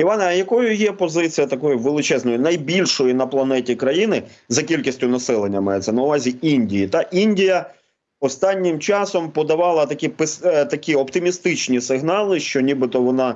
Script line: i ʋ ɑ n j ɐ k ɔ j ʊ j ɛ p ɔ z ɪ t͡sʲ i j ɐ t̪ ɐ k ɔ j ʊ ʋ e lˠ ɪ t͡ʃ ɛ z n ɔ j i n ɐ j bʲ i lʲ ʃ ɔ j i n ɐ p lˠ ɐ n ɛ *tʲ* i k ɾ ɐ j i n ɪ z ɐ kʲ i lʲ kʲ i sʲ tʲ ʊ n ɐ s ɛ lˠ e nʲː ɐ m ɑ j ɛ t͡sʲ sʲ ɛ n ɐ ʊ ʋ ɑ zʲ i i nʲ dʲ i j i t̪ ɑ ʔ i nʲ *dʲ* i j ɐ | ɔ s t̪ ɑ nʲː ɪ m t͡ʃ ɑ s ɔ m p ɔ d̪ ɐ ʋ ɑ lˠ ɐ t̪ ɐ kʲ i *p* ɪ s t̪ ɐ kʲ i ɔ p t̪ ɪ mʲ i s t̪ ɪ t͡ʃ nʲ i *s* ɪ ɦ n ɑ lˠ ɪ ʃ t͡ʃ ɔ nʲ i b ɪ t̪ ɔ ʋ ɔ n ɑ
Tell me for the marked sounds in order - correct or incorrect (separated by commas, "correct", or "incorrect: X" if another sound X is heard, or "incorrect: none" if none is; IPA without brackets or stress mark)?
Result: correct, correct, correct, correct